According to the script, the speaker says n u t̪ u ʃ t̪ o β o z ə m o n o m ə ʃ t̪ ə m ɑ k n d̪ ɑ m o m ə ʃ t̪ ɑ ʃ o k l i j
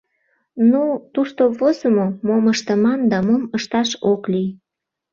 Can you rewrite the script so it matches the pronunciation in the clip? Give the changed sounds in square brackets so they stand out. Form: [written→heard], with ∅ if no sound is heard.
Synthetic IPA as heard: n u t̪ u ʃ t̪ o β o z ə m o [n→m] o m ə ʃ t̪ ə m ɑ [k→∅] n d̪ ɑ m o m ə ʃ t̪ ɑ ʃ o k l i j